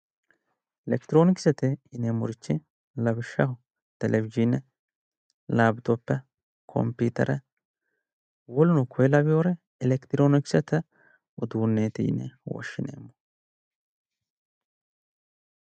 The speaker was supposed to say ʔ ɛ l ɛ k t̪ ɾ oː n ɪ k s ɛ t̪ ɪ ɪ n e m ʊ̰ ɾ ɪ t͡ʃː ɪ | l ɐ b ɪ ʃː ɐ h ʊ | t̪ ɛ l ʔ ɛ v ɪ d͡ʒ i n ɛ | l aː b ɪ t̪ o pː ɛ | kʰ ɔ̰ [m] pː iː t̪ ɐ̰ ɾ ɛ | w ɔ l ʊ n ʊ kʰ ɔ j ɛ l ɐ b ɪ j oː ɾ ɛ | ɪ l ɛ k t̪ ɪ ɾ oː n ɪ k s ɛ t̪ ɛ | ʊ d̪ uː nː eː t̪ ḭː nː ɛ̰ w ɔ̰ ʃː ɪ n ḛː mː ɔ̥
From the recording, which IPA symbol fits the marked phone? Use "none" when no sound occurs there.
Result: m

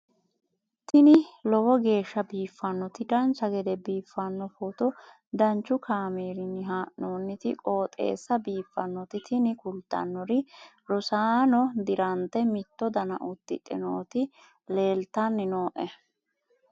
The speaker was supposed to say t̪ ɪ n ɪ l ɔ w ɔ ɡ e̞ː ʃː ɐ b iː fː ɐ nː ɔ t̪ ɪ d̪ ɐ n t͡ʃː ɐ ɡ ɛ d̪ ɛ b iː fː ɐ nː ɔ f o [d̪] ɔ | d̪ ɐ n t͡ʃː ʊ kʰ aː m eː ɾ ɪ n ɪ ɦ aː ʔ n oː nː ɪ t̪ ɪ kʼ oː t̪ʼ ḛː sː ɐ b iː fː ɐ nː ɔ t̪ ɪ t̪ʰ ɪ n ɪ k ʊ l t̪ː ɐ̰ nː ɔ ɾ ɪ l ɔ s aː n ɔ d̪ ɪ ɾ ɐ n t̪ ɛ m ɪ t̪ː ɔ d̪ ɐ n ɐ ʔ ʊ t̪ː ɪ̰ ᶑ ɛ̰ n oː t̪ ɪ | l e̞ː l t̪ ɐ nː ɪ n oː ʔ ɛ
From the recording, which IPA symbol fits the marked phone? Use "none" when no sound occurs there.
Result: t̪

